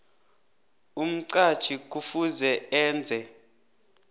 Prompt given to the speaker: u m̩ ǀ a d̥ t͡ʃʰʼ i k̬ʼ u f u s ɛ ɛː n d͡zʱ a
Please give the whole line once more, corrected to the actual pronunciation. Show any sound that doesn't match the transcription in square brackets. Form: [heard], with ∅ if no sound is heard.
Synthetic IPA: u m̩ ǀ a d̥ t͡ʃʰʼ i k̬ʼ u f u [z] ɛ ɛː n d͡zʱ [ɛ]